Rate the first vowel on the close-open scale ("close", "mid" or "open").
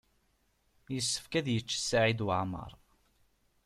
mid